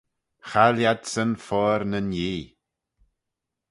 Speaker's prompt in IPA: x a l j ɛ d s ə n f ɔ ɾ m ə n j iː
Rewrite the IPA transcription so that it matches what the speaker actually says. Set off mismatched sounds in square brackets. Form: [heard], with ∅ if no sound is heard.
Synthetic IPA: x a l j [a] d s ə n f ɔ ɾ [n] ə n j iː